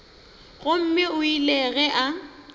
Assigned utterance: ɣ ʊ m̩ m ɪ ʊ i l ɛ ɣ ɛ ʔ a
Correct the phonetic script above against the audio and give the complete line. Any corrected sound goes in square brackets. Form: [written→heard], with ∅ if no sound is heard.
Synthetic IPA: ɣ ʊ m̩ m ɪ ʊ i l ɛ ɣ ɛ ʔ a